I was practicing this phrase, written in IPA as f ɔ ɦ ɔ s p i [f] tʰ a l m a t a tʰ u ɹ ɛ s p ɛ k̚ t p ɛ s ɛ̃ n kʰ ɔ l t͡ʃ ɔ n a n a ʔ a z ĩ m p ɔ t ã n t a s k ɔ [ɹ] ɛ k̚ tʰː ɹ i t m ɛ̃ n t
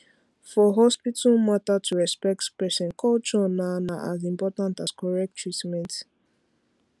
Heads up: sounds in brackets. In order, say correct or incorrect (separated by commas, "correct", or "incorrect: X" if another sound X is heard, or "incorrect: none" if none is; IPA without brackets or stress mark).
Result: incorrect: none, correct